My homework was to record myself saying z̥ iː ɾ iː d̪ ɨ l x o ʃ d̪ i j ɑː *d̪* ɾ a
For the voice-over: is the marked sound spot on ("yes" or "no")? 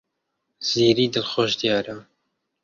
no